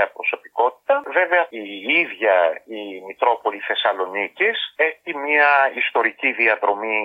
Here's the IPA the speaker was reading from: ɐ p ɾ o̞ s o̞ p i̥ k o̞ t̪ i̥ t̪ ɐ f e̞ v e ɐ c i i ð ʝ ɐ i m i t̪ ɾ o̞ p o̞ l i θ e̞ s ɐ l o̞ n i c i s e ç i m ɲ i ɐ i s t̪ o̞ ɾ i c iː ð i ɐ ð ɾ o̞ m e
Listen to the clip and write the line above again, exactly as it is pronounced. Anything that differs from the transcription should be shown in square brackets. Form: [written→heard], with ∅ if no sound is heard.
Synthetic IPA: ɐ p ɾ o̞ s o̞ p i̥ k o̞ t̪ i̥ t̪ ɐ [f→v] e̞ v e ɐ [c→∅] i i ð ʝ ɐ i m i t̪ ɾ o̞ p o̞ l i θ e̞ s ɐ l o̞ n i c i s e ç i m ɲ i ɐ i s t̪ o̞ ɾ i c [iː→i] ð i ɐ ð ɾ o̞ m [e→i]